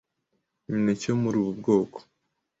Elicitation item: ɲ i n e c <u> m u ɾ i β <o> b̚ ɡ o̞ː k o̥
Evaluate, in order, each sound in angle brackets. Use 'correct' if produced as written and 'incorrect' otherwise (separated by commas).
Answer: incorrect, incorrect